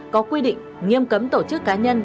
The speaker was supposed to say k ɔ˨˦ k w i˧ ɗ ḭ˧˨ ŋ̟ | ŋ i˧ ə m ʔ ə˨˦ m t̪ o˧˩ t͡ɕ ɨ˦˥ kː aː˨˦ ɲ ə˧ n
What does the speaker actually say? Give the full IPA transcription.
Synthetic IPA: k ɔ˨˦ k w i˧ ɗ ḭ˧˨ ŋ̟ | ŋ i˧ ə m k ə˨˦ m t̪ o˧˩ t͡ɕ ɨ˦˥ kː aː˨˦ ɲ ə˧ n